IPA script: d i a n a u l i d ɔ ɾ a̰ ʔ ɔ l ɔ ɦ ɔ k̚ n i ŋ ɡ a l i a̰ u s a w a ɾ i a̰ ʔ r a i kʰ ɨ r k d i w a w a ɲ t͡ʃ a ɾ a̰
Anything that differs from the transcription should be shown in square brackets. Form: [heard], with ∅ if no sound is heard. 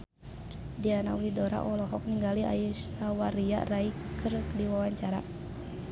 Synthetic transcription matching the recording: d i a n a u l i d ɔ ɾ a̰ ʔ ɔ l ɔ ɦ ɔ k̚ n i ŋ ɡ a l i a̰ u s a w a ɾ i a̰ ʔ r a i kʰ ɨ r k d i w a w a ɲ t͡ʃ a ɾ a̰